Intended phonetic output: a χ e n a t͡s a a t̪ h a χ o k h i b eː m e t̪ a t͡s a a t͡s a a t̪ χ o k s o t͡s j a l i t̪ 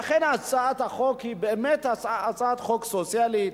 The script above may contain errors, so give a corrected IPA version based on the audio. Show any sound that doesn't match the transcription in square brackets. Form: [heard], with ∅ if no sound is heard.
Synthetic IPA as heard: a χ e n a t͡s a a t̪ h a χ o k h i b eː m e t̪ a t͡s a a t͡s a a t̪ χ o k s o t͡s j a l i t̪